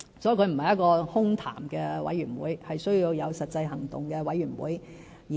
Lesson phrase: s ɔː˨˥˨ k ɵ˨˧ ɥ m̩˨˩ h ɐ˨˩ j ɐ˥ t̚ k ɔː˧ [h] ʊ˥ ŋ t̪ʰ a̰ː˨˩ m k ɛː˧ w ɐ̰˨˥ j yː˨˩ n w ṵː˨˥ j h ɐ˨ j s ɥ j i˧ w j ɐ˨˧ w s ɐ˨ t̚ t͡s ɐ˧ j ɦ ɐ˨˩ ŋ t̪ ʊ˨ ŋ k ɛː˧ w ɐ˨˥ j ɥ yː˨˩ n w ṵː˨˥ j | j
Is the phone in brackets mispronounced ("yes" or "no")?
no